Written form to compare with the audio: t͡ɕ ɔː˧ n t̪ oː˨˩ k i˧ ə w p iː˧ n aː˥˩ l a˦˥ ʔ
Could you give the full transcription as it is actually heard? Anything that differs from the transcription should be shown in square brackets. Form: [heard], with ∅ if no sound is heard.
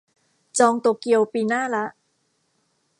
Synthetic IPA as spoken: t͡ɕ ɔː˧ [ŋ] t̪ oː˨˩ k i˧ ə w p iː˧ n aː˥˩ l a˦˥ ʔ